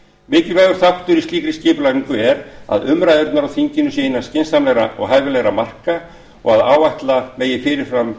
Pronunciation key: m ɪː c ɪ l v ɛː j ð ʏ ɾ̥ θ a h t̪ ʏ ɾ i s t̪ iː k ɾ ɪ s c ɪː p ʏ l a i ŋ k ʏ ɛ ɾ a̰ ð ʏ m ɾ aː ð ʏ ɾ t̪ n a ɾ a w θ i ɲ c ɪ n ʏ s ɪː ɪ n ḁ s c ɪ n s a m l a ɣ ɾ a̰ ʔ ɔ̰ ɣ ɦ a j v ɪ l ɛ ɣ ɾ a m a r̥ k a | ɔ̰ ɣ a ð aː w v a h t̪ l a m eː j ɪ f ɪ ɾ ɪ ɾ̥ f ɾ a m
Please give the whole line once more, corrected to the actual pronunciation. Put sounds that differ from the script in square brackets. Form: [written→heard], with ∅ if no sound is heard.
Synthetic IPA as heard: m ɪː c ɪ l v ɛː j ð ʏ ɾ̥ θ a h t̪ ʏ ɾ i s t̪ iː k ɾ ɪ s c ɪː p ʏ l a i ŋ k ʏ ɛ ɾ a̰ ð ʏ m ɾ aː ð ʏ ɾ t̪ n a ɾ a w θ i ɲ c ɪ n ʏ s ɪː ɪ n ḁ s c ɪ n s a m l [a→ɛ] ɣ ɾ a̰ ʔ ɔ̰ ɣ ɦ a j v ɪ l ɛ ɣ ɾ a m a r̥ k a | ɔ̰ ɣ a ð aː w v a h t̪ l a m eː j ɪ f ɪ ɾ ɪ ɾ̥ f ɾ a m